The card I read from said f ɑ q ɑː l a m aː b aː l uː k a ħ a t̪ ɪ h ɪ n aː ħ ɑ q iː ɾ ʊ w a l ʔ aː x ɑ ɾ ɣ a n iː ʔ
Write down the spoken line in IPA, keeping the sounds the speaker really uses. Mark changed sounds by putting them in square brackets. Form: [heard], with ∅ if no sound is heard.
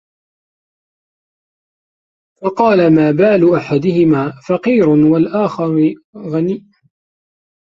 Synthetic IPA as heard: f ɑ q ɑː l a m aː b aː l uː [ʔ] a ħ a [d̪] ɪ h ɪ [m] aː [f] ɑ q iː ɾ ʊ w a l ʔ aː x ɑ ɾ ɣ a n iː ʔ

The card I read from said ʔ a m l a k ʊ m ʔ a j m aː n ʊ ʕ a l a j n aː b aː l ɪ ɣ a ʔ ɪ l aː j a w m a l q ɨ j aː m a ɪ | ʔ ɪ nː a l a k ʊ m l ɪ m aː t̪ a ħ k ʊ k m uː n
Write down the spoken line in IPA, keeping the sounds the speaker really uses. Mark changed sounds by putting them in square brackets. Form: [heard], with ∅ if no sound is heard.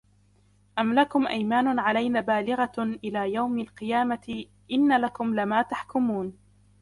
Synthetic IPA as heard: ʔ a m l a k ʊ m ʔ a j m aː n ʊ ʕ a l a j n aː b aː l ɪ ɣ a ʔ ɪ l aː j a w m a l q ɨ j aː m a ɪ | ʔ ɪ nː a l a k ʊ m l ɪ m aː t̪ a ħ k ʊ [∅] m uː n

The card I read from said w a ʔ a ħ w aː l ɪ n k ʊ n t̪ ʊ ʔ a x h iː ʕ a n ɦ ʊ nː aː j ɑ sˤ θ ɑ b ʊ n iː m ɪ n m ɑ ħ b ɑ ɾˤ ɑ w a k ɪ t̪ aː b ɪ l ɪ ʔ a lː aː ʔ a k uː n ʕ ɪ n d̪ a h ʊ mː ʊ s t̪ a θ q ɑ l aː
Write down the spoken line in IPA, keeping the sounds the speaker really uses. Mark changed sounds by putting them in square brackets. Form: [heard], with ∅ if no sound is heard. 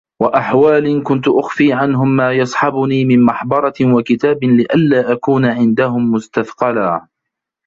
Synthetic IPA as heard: w a ʔ a ħ w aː l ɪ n k ʊ n t̪ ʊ ʔ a x [f] iː ʕ a n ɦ ʊ [mː] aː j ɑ sˤ [ħ] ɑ b ʊ n iː m ɪ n m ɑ ħ b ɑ ɾˤ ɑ w a k ɪ t̪ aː b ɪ l ɪ ʔ a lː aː ʔ a k uː n ʕ ɪ n d̪ a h ʊ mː ʊ s t̪ a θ q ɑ l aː

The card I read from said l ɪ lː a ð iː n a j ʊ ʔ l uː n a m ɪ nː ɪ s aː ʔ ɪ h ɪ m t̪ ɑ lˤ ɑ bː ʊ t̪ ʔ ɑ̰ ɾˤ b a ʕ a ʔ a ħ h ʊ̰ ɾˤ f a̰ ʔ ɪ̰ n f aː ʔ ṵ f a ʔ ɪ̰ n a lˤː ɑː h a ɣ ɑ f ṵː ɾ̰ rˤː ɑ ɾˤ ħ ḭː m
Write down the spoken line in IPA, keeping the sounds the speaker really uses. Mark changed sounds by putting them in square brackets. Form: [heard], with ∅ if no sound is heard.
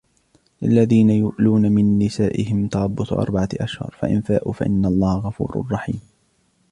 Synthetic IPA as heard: l ɪ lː a ð iː n a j ʊ ʔ l uː n a m ɪ nː ɪ s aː ʔ ɪ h ɪ m t̪ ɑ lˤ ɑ bː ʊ t̪ ʔ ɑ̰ ɾˤ b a ʕ a ʔ a [ʃ] h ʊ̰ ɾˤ f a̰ ʔ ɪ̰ n f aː ʔ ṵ f a ʔ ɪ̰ [nː] a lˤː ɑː h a ɣ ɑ f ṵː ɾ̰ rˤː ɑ [∅] ħ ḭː m

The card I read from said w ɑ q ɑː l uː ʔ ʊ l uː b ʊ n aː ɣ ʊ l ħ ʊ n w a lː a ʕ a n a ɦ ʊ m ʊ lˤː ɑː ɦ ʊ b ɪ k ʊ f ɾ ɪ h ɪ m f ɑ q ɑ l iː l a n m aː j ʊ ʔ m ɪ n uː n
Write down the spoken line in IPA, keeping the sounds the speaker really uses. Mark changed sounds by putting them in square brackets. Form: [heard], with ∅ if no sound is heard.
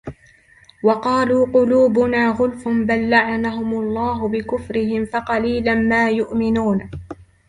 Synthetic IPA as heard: w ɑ q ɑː l uː [q] ʊ l uː b ʊ n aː ɣ ʊ l [f] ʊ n [b] a lː a ʕ a n a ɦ ʊ m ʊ lˤː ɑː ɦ ʊ b ɪ k ʊ f ɾ ɪ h ɪ m f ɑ q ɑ l iː l a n m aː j ʊ ʔ m ɪ n uː n

